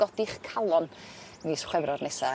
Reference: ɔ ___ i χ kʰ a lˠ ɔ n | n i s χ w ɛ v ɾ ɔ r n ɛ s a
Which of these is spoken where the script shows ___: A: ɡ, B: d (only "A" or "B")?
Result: B